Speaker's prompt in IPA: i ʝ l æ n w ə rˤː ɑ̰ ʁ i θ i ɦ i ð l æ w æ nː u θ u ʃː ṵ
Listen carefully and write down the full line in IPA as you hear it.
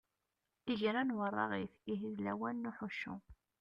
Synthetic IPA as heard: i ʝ ɾ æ n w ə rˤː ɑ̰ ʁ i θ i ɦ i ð l æ w æ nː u ħ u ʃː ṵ